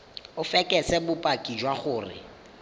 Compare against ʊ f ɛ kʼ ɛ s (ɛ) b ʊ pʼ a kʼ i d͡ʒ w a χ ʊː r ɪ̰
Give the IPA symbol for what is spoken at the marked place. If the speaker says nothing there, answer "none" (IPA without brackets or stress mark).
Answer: ɛ